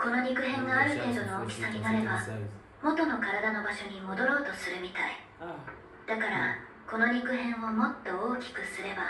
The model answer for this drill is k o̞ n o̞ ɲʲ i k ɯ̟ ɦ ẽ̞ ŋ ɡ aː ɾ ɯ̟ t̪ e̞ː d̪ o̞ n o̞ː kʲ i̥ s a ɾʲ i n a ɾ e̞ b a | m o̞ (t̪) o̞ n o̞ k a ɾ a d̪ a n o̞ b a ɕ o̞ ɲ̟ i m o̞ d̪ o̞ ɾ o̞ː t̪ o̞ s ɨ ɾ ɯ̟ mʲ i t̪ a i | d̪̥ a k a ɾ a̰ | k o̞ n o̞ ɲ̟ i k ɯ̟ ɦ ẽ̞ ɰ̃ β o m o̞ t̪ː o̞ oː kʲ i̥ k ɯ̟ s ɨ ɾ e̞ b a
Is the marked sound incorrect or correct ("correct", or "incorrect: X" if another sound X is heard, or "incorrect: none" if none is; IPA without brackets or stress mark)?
correct